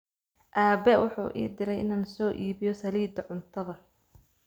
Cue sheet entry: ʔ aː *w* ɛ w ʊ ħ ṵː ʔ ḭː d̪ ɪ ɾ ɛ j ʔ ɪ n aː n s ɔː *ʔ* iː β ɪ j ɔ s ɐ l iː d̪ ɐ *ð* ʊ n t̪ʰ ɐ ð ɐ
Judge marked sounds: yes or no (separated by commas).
no, yes, no